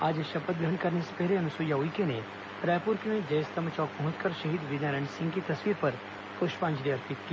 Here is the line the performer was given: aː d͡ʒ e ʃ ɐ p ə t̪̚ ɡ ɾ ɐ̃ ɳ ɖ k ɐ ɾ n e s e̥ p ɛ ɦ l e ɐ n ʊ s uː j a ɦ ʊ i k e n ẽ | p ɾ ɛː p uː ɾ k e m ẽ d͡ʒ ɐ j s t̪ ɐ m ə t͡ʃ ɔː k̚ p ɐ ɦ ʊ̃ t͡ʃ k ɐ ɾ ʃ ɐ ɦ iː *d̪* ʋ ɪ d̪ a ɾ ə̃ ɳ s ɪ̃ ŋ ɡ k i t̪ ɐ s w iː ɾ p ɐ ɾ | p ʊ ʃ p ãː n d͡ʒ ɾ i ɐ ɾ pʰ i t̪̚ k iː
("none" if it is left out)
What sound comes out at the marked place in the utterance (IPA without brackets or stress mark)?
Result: d̪